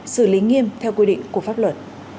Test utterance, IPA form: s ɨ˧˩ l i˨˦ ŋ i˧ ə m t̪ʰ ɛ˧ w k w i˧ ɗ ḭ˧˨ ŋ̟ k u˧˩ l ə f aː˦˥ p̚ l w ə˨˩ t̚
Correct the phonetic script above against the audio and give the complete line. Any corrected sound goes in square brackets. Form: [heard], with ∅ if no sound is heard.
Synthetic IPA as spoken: s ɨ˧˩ l i˨˦ ŋ i˧ ə m t̪ʰ ɛ˧ w k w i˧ ɗ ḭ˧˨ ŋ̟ k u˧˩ [∅] ə f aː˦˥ p̚ l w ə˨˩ t̚